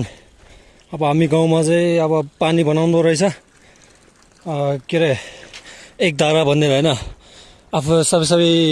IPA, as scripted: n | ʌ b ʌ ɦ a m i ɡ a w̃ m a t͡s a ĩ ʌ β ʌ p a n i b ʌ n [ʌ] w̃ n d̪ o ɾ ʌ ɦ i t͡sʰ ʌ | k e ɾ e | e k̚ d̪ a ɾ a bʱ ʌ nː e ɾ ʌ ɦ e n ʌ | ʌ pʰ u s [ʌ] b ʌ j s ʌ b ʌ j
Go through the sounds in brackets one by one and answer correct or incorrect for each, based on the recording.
incorrect: a, correct

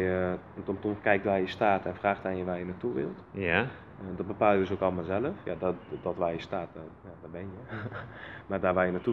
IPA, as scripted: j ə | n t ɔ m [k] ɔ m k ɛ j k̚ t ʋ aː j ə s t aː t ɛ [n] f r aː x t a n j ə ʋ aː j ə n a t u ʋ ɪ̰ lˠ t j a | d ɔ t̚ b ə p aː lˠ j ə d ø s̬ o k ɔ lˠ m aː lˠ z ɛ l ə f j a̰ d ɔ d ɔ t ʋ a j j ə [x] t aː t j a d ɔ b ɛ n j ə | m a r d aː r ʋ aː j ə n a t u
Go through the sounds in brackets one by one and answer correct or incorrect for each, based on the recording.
incorrect: t, correct, incorrect: s

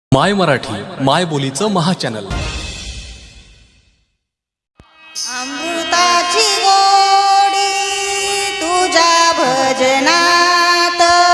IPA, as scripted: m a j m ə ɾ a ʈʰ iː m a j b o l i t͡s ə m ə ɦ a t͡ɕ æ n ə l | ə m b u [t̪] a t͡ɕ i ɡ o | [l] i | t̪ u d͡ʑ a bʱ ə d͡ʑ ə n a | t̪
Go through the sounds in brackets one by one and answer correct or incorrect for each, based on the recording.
correct, incorrect: ɽ

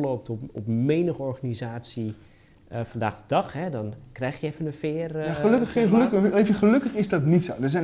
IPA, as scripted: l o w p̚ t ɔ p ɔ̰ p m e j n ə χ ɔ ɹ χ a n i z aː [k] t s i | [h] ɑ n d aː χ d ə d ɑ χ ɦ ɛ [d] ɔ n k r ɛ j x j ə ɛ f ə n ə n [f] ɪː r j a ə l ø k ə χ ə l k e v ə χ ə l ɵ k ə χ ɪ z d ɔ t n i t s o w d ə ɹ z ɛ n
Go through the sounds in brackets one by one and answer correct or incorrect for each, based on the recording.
incorrect: none, incorrect: f, correct, correct

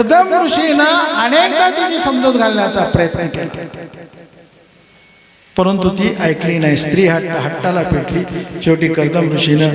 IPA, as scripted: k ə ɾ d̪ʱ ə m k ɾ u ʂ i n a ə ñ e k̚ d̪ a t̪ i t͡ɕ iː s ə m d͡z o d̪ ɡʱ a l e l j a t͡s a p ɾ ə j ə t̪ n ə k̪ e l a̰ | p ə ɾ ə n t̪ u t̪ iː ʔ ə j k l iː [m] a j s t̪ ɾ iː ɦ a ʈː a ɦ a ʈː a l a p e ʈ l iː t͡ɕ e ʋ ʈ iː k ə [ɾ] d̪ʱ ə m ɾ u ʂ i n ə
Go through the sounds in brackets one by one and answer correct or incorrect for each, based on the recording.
incorrect: n, correct

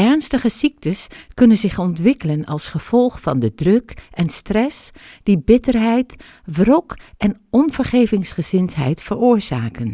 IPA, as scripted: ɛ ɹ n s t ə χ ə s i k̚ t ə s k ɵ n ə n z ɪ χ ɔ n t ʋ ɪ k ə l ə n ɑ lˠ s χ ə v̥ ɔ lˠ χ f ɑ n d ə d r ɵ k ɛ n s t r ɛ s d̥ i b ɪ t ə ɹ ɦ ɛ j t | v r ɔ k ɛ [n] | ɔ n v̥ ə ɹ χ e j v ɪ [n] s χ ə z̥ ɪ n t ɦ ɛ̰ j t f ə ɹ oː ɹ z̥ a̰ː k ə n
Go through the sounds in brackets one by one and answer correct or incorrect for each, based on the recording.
correct, incorrect: ŋ

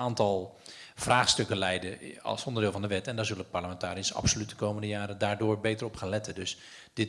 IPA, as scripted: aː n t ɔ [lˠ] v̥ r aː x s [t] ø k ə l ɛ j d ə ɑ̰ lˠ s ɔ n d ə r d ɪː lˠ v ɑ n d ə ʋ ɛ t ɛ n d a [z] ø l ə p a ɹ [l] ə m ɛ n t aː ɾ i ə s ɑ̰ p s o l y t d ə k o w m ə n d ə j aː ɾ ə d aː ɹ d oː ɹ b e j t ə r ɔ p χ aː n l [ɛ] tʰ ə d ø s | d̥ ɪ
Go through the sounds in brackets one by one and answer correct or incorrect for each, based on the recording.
correct, correct, correct, correct, correct

